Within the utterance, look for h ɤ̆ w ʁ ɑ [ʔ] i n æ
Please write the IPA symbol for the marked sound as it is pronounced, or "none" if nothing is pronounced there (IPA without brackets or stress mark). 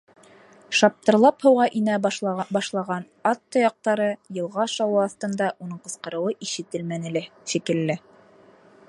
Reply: ʔ